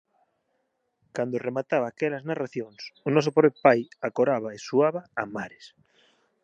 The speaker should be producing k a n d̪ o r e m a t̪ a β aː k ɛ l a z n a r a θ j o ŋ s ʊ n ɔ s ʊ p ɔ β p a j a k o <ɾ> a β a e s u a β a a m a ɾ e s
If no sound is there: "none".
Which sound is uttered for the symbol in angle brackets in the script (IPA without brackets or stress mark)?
ɾ